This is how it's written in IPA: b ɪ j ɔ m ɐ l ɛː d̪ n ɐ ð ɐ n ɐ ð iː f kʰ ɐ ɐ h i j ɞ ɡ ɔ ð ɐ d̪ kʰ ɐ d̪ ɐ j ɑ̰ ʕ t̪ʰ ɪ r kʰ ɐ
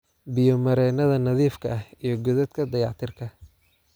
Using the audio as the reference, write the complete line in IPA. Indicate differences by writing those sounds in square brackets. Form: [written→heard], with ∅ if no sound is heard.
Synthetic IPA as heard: b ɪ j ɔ m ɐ [l→ɾ] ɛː [d̪→∅] n ɐ ð ɐ n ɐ ð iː f kʰ ɐ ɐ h i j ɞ ɡ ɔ ð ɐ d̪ kʰ ɐ d̪ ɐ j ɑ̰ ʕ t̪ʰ ɪ r kʰ ɐ

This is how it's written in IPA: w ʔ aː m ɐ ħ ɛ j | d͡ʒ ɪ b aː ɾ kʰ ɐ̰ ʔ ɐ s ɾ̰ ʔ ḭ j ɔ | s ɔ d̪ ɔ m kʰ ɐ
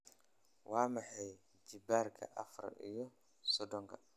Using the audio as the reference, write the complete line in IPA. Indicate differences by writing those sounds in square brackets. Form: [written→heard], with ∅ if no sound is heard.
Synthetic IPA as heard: w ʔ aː m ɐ ħ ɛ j | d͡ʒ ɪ b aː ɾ kʰ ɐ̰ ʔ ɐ [s→f] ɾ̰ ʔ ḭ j ɔ | s ɔ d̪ ɔ [m→ŋ] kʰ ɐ

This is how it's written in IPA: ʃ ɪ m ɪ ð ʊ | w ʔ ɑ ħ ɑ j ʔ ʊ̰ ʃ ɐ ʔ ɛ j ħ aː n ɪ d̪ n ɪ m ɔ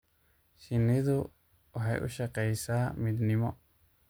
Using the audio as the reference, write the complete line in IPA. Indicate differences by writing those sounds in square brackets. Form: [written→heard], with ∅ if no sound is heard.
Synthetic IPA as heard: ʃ ɪ [m→n] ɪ ð ʊ | w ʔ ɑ ħ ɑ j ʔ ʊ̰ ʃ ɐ [ʔ→q] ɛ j [ħ→s] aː [n→m] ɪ d̪ n ɪ m ɔ

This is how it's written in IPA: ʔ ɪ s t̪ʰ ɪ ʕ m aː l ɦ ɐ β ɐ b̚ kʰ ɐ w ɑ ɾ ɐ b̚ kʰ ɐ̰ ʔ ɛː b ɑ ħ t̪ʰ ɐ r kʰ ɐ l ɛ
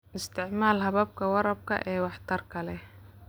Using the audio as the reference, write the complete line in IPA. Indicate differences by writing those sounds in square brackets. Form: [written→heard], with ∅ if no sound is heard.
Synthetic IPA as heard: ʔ ɪ s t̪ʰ ɪ ʕ m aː l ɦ ɐ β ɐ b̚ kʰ ɐ w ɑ ɾ ɐ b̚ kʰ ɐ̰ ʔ ɛː [b→w] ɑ ħ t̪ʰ ɐ r kʰ ɐ l ɛ

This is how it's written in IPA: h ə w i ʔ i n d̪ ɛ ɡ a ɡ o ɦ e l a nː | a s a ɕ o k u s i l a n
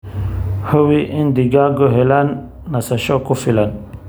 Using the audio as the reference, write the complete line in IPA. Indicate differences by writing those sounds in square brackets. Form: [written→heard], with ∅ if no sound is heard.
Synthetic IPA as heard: h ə w i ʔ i n d̪ [ɛ→i] ɡ a ɡ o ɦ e l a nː | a s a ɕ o k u [s→f] i l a n

